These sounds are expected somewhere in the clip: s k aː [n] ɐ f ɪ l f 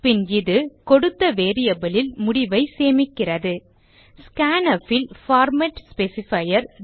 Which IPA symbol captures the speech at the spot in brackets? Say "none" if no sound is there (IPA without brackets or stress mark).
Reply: n